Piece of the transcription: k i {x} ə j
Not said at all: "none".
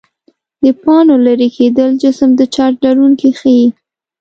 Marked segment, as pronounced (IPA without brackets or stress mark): x